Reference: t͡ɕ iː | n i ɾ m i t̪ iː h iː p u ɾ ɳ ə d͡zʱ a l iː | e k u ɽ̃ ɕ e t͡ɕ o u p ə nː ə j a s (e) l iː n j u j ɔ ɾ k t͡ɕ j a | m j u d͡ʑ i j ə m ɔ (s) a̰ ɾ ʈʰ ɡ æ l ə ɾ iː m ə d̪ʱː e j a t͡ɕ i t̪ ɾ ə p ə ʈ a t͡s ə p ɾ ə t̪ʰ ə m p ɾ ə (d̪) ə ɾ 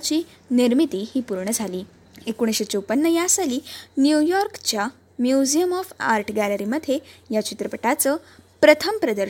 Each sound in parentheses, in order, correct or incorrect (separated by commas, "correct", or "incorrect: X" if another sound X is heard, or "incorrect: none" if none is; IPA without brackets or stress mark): incorrect: a, incorrect: f, correct